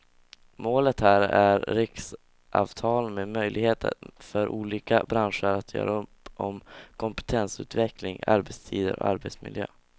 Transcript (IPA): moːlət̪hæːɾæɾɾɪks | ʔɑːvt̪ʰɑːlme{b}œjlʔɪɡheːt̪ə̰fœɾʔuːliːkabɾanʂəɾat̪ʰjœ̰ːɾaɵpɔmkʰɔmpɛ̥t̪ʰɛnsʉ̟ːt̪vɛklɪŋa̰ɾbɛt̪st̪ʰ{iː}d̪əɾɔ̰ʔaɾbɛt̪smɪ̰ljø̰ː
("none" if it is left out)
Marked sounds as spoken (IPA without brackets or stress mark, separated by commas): m, iː